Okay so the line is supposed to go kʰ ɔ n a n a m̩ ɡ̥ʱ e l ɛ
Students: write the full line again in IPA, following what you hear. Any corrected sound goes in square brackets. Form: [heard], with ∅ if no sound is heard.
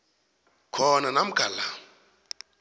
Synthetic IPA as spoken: kʰ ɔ n a n a m̩ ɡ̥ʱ [a] l [a]

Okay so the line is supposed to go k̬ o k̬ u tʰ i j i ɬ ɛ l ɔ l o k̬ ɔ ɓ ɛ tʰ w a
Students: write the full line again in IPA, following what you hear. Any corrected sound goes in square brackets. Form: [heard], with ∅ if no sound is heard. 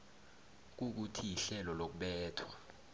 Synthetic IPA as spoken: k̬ [u] k̬ u tʰ i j i ɬ ɛ l ɔ l o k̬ [u] ɓ [ɛː] tʰ w a

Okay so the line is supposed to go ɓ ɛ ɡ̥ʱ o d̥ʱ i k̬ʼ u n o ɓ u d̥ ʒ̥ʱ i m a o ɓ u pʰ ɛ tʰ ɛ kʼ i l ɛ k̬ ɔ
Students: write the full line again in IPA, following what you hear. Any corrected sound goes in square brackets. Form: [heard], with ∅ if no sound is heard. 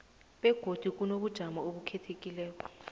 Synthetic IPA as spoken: ɓ ɛ ɡ̥ʱ o d̥ʱ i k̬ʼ u n o ɓ u d̥ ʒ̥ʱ [a] m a o ɓ u [kʰ] ɛ tʰ [e] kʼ i l [ɛː] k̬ ɔ

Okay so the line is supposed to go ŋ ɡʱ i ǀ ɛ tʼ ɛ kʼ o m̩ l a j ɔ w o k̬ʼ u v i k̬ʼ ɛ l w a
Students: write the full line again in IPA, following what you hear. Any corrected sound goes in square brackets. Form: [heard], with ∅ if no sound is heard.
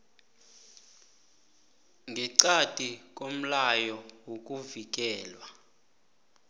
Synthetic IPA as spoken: ŋ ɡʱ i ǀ [a] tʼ [i] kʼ o m̩ l a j ɔ w o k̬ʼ u v i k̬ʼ [ɛː] l w a

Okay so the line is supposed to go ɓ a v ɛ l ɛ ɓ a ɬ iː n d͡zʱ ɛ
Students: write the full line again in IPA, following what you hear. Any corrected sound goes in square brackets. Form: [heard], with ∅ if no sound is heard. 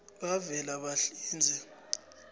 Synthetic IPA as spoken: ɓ a v ɛ l [a] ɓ a ɬ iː n d͡zʱ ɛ

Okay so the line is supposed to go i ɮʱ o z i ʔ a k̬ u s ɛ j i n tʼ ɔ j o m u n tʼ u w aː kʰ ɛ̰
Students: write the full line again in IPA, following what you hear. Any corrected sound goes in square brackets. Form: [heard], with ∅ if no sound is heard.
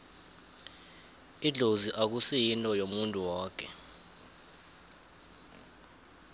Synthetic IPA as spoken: i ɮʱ o z i ʔ a k̬ u s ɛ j i n tʼ ɔ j o m u n tʼ u w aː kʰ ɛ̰

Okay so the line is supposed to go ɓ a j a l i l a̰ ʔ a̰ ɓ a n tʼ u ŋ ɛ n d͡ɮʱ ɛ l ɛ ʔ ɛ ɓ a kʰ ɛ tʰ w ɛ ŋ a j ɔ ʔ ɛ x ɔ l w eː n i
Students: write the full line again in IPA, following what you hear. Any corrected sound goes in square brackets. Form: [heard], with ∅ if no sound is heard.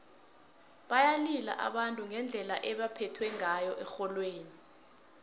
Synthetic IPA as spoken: ɓ a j a l i l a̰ ʔ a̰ ɓ a n tʼ u ŋ ɛ n d͡ɮʱ ɛ l [a] ʔ ɛ ɓ a [pʰ] ɛ tʰ w ɛ ŋ a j ɔ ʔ ɛ x ɔ l w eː n i

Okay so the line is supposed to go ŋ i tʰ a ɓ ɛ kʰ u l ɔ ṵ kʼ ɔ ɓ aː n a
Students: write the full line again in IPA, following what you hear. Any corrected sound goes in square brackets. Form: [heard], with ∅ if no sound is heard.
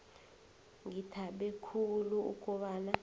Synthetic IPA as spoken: ŋ i tʰ a ɓ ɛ kʰ u l [u] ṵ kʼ ɔ ɓ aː n a

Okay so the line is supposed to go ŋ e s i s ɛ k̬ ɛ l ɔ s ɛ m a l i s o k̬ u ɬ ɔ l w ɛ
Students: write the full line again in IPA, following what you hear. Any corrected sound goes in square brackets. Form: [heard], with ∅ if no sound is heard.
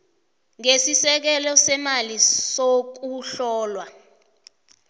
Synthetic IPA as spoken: ŋ e s i s ɛ k̬ ɛ l ɔ s ɛ m a l i s o k̬ u ɬ [ɔː] l w [a]

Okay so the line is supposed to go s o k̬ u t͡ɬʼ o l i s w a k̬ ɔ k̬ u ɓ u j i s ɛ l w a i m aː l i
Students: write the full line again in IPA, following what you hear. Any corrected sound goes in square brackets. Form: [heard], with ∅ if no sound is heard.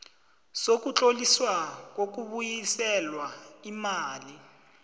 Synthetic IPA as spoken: s o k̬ u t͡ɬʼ o l i s w a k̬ [o] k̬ u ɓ u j i s ɛ l w a i m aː l i

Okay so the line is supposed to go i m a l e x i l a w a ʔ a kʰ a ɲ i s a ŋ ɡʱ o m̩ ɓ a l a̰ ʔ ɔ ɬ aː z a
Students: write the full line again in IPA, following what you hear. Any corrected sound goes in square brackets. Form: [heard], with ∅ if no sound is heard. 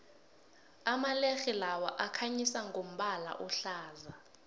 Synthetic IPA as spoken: [a] m a l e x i l a w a ʔ a kʰ a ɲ i s a ŋ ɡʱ o m̩ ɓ a l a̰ ʔ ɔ ɬ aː z a

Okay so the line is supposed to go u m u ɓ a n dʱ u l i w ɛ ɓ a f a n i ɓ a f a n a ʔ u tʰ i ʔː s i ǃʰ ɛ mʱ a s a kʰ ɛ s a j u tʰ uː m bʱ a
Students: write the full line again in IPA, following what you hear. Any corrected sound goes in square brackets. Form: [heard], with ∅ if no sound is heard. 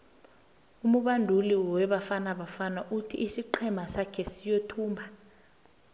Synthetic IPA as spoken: u m u ɓ a n dʱ u l i w ɛ ɓ a f a n [a] ɓ a f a n a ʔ u tʰ i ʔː s i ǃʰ ɛ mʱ a s a kʰ ɛ s [i] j [o] tʰ uː m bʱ a

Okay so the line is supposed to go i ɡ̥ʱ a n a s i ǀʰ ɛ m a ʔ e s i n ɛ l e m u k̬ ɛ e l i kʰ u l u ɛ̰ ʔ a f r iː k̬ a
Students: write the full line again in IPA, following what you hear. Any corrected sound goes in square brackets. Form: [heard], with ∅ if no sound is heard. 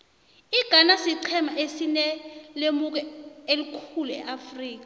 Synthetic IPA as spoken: i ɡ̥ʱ a n a s i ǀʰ ɛ m a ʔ e s i n ɛ l e m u k̬ ɛ e l i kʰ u l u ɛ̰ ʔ a f r iː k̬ a

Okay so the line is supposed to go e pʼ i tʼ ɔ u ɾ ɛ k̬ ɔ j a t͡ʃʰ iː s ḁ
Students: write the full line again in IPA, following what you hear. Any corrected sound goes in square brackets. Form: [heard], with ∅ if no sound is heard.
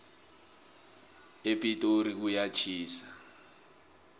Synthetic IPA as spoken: e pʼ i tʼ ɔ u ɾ [i] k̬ [u] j a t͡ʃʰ iː s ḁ

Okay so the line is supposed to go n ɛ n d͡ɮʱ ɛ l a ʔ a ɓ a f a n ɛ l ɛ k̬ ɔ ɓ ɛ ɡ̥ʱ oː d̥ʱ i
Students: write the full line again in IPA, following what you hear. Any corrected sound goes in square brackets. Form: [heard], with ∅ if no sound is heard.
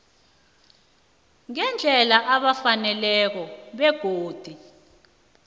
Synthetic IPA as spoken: [ŋ] ɛ n d͡ɮʱ ɛ l a ʔ a ɓ a f a n ɛ l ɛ k̬ ɔ ɓ ɛ ɡ̥ʱ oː d̥ʱ i

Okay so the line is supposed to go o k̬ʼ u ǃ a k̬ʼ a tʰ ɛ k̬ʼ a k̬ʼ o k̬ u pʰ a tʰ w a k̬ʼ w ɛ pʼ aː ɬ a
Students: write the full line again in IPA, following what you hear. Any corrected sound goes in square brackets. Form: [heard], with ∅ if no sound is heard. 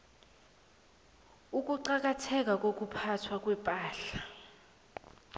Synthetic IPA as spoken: [u] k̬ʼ u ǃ a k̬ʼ a tʰ ɛ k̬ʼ a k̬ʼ o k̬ u pʰ a tʰ w a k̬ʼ w ɛ pʼ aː ɬ a

